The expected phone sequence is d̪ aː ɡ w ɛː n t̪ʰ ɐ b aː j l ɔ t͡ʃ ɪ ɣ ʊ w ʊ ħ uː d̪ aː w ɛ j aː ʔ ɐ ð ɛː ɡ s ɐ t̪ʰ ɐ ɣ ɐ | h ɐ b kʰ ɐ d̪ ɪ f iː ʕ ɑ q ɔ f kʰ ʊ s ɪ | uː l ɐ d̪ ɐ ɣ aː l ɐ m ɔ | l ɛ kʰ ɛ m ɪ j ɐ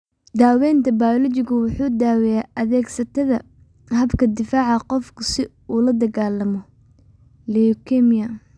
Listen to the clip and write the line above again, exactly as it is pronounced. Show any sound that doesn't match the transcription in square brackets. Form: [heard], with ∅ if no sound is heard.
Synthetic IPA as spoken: d̪ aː [∅] w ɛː n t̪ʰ ɐ b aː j l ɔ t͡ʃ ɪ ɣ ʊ w ʊ ħ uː d̪ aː w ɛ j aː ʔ ɐ ð ɛː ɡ s ɐ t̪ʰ ɐ [ð] ɐ | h ɐ b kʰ ɐ d̪ ɪ f [aː] ʕ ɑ q ɔ f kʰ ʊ s ɪ | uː l ɐ d̪ ɐ ɣ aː l ɐ m ɔ | l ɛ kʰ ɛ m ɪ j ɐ